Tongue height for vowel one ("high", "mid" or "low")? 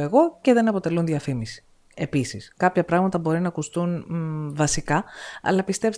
mid